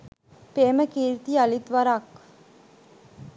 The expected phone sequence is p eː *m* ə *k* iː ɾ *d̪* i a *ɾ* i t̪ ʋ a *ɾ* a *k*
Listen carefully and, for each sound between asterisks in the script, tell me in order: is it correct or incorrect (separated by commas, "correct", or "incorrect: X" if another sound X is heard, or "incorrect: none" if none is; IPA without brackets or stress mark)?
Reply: correct, correct, incorrect: t̪, incorrect: l, correct, correct